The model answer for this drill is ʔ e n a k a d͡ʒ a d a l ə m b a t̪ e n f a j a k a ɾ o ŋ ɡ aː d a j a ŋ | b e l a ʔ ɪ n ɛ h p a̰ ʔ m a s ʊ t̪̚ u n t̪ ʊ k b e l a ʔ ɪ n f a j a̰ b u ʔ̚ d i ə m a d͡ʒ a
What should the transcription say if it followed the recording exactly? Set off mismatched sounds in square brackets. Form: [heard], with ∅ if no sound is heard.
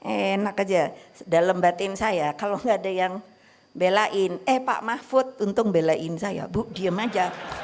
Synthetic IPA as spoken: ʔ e n a k a d͡ʒ a d a l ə m b a t̪ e n [s] a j a k a [l] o ŋ ɡ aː d a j a ŋ | b e l a ʔ ɪ n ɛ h p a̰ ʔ m a [f] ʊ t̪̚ u n t̪ ʊ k b e l a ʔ ɪ n [s] a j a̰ b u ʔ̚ d i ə m a d͡ʒ a